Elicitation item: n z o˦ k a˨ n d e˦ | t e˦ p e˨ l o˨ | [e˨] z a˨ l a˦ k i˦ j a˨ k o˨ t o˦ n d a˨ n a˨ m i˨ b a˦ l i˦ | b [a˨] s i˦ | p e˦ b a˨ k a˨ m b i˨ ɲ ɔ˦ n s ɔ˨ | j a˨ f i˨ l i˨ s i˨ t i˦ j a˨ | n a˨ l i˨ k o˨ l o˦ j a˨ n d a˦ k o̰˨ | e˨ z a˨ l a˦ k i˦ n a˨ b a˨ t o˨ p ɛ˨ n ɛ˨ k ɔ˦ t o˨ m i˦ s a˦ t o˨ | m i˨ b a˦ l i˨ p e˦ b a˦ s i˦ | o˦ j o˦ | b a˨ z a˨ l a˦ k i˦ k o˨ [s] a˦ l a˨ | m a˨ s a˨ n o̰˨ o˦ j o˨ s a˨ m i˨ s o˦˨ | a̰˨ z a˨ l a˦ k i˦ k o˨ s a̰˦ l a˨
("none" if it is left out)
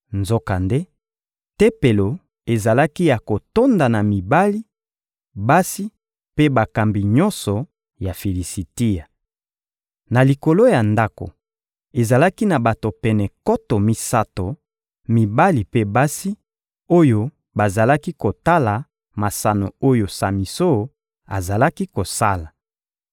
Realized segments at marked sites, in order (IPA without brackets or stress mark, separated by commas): e˨, a˦, t